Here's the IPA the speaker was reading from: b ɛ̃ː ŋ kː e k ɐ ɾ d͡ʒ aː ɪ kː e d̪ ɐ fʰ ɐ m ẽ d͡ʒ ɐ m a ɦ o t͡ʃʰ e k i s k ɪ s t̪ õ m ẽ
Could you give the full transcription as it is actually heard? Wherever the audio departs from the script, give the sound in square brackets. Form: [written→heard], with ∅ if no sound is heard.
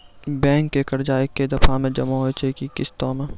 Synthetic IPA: b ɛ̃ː ŋ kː e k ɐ ɾ d͡ʒ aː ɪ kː e d̪ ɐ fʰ [ɐ→a] m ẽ d͡ʒ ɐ m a ɦ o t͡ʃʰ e k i [s→∅] k ɪ s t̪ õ m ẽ